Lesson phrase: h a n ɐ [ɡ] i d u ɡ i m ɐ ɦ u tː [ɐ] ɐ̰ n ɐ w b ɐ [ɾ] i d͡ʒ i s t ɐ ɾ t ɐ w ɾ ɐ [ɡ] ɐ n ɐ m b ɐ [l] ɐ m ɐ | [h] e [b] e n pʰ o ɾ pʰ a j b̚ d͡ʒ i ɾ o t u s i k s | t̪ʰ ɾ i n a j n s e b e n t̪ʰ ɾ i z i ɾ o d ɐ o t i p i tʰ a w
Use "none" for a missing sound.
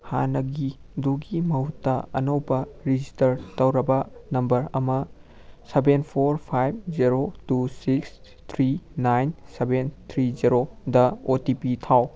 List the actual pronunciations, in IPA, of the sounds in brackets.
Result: ɡ, ɐ, ɾ, b, ɾ, s, b

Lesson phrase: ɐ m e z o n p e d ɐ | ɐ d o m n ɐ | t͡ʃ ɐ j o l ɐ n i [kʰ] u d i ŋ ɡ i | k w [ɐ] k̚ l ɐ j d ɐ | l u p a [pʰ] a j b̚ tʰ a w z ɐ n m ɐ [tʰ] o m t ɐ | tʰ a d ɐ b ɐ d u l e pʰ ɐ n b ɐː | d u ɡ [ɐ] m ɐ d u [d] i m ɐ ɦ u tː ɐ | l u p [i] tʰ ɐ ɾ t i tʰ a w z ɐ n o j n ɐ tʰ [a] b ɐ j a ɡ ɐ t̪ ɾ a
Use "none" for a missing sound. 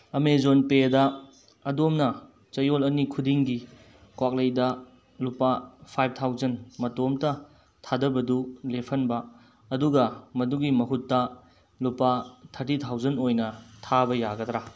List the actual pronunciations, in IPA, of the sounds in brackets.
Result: kʰ, a, pʰ, t, ɐ, ɡ, a, a

